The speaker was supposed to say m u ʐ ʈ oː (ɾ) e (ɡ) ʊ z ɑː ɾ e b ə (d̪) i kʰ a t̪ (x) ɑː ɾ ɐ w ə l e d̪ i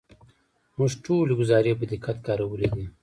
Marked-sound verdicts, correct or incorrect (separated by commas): incorrect, correct, correct, incorrect